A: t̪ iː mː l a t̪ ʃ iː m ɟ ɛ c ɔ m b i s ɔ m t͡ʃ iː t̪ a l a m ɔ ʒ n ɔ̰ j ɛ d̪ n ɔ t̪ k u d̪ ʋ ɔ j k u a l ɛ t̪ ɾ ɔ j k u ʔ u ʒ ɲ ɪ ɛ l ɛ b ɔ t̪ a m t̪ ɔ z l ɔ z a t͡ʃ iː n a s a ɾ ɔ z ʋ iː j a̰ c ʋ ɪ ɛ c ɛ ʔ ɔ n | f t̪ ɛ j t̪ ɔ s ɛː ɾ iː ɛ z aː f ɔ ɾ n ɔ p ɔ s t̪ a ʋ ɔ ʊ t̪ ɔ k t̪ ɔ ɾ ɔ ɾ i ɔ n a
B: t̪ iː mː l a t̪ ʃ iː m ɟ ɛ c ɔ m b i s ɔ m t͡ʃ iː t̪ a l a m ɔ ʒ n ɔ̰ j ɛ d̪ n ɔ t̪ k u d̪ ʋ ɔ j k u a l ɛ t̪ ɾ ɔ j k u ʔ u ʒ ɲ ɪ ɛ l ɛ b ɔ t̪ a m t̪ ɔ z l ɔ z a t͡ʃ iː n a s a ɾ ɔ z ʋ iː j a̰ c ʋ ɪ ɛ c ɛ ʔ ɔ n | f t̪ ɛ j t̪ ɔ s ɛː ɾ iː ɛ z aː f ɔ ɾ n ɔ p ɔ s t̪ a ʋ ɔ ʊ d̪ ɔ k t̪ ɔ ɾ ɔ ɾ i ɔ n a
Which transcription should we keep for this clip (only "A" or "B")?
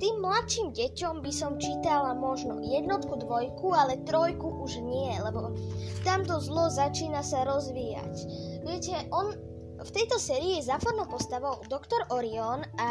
B